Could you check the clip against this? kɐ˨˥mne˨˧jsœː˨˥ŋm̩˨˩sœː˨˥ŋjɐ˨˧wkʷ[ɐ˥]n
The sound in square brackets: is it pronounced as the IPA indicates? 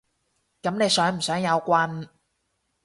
no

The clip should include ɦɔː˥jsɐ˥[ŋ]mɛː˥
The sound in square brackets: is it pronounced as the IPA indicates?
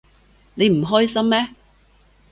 no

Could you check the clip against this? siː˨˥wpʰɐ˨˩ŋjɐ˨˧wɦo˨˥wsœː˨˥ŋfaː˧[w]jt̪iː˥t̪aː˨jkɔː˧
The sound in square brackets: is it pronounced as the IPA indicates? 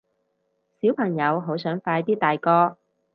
no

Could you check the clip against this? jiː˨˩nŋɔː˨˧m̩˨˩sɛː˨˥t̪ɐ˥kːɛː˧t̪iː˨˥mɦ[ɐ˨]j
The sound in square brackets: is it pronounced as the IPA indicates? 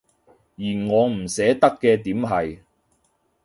yes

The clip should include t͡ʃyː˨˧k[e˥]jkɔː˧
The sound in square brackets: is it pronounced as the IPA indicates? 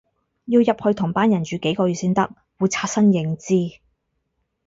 no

